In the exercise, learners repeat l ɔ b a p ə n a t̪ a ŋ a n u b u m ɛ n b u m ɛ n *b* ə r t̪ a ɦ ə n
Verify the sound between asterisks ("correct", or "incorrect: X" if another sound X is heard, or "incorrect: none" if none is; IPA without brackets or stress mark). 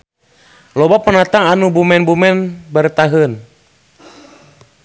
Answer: correct